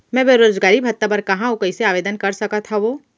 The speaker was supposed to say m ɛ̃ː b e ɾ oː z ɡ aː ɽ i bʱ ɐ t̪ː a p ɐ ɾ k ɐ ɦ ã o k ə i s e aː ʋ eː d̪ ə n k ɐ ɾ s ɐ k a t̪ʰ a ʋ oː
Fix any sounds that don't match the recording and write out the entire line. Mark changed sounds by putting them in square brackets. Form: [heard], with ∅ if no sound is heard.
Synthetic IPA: m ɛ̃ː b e ɾ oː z ɡ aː [ɾ] i bʱ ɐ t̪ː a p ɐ ɾ k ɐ ɦ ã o k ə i s e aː ʋ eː d̪ ə n k ɐ ɾ s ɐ k a t̪ʰ a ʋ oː